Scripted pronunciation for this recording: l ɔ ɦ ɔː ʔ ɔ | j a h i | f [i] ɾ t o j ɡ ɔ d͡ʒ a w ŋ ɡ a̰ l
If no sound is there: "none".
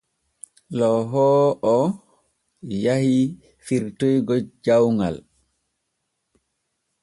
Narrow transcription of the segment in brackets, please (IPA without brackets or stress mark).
i